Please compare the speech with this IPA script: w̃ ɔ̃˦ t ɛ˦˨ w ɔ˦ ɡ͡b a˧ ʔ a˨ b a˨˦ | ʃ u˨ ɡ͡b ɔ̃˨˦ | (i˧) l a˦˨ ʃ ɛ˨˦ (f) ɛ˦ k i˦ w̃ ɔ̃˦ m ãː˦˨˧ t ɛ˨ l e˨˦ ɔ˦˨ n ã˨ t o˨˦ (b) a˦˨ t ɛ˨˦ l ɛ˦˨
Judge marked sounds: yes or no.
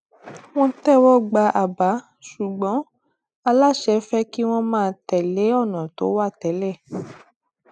no, yes, no

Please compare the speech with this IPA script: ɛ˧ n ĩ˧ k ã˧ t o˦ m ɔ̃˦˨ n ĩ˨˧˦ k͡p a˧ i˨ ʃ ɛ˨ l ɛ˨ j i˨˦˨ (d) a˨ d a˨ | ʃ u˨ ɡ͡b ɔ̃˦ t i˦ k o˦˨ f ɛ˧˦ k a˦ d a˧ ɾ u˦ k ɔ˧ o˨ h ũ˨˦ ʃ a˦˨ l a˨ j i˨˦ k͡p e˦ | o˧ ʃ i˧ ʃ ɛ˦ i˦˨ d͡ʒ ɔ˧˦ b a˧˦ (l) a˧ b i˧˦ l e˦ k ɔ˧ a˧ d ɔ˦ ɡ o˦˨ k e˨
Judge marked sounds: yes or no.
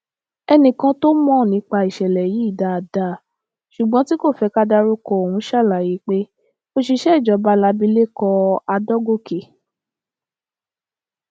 yes, yes

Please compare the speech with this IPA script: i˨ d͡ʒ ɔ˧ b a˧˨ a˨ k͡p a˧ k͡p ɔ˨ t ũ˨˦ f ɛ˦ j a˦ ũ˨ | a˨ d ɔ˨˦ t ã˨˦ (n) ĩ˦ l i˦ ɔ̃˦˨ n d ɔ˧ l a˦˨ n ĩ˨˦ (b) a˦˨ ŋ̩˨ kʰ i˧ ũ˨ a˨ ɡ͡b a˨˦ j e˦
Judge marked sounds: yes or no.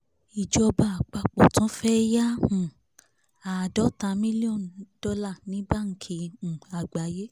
no, yes

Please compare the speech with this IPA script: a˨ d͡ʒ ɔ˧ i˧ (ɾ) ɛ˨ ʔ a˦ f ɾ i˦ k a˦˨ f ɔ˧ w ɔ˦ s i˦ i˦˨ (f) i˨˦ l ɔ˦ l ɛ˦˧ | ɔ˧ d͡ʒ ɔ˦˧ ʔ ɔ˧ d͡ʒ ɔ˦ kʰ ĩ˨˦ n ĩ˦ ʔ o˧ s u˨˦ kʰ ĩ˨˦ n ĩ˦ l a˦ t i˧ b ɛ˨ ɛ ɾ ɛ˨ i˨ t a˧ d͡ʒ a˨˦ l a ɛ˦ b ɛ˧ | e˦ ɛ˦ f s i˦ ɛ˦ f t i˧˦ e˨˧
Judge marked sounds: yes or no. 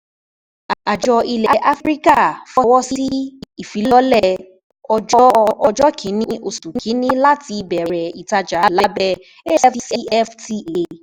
no, yes

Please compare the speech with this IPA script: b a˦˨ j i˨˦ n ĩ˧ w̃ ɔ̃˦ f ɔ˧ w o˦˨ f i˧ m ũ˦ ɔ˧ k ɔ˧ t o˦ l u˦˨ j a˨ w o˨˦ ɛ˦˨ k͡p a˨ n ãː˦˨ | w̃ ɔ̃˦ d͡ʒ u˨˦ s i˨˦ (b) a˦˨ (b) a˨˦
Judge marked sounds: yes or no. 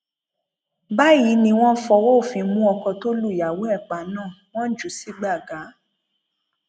no, no

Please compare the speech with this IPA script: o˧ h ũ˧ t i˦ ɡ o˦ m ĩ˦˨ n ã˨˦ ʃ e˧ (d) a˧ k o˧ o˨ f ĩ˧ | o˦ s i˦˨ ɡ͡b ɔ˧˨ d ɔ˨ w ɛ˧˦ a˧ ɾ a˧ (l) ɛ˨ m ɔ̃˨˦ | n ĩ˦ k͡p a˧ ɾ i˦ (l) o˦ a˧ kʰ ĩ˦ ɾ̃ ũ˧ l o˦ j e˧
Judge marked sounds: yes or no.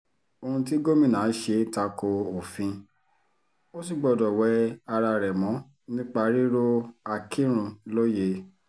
no, no, no

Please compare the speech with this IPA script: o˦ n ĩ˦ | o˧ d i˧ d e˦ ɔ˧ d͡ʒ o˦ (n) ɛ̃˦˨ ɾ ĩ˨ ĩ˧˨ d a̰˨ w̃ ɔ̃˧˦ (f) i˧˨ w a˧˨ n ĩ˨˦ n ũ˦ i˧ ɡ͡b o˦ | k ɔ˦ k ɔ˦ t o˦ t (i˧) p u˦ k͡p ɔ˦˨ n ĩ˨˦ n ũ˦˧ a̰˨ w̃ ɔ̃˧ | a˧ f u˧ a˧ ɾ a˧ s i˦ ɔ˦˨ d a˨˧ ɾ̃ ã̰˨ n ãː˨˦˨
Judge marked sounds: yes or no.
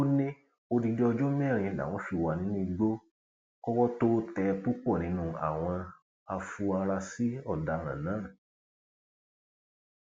no, yes, no

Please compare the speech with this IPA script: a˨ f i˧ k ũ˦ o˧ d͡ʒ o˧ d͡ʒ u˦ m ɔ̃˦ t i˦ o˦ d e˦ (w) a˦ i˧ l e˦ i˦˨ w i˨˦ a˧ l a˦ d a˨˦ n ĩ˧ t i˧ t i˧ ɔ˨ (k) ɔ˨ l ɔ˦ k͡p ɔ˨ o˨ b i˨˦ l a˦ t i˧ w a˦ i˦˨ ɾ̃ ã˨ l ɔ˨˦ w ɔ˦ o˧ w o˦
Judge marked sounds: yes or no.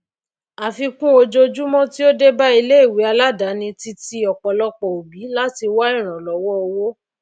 no, no

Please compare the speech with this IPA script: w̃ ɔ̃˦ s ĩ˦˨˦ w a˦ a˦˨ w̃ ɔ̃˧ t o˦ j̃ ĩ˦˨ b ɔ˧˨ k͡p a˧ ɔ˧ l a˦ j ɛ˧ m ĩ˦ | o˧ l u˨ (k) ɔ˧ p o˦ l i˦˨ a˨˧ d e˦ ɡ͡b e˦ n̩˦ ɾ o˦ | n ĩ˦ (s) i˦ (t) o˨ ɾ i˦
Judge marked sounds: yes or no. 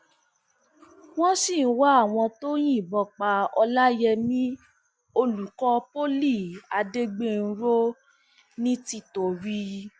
yes, no, yes

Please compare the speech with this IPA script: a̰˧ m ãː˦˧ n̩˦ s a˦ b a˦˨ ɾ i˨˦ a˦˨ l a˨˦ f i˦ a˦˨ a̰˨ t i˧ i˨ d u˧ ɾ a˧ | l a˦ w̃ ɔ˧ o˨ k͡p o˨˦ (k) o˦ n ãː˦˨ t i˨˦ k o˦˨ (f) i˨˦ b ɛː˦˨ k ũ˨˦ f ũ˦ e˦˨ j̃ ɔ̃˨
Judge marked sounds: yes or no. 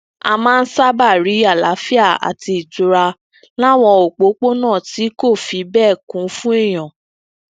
no, yes

